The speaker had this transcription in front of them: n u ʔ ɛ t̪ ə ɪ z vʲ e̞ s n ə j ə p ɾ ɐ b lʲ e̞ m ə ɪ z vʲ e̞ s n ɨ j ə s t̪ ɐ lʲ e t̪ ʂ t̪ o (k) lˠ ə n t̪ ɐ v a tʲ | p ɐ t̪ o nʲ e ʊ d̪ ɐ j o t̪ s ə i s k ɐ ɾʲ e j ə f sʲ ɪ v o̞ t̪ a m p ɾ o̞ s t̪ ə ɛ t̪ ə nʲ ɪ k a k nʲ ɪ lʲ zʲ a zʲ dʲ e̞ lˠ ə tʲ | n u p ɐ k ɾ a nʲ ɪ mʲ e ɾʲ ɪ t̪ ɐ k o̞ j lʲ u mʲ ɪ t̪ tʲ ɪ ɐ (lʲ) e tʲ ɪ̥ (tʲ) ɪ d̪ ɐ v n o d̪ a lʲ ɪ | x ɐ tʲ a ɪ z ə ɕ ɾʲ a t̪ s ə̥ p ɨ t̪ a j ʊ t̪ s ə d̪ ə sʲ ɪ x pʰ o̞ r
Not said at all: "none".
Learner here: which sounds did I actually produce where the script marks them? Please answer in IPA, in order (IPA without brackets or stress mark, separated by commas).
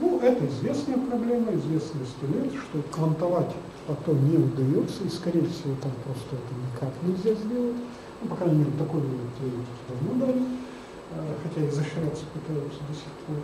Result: k, ɾʲ, kʲ